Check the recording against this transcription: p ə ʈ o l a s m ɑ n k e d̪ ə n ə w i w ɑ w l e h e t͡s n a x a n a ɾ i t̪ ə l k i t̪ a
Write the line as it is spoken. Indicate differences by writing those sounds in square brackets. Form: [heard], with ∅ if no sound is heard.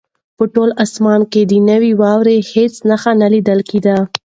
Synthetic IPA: p ə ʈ o l a s m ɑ n k e d̪ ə n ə w i w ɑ w [ɾ] e h e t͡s n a x a n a [l] i [d̪] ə l k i [d̪] a